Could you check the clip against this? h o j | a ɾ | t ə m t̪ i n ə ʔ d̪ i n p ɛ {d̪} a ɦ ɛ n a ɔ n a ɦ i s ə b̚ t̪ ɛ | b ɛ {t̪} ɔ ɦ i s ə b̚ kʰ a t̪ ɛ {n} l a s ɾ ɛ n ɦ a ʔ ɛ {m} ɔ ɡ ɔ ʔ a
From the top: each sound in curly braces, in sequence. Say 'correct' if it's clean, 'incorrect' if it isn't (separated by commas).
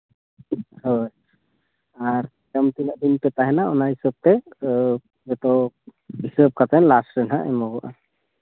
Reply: incorrect, correct, correct, correct